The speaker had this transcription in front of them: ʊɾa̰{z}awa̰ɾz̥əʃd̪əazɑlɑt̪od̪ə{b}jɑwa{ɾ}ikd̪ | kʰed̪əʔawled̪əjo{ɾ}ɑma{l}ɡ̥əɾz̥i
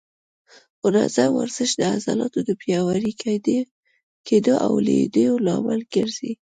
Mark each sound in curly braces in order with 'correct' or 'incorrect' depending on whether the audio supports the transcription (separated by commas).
correct, incorrect, correct, incorrect, correct